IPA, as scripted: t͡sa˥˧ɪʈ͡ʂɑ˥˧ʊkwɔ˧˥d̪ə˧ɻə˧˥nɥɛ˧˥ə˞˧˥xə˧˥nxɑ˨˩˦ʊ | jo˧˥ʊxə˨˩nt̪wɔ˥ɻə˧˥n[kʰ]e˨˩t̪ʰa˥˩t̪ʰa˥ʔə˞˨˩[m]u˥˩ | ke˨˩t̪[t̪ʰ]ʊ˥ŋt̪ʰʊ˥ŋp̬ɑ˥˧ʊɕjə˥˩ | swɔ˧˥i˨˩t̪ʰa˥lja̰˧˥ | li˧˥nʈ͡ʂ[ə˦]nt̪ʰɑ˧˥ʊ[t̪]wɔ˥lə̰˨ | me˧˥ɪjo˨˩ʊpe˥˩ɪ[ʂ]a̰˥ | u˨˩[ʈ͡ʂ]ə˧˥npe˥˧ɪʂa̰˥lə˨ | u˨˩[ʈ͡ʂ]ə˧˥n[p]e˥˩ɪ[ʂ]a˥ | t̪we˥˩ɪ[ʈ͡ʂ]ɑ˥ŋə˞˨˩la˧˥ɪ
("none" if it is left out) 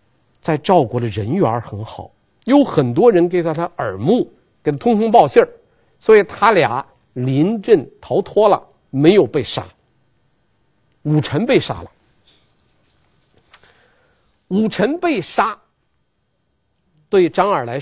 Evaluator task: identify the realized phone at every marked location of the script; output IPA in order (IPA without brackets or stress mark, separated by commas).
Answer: k, m, t̪ʰ, ə˥˩, t̪ʰ, ʂ, ʈ͡ʂʰ, ʈ͡ʂʰ, p, ʂ, ʈ͡ʂ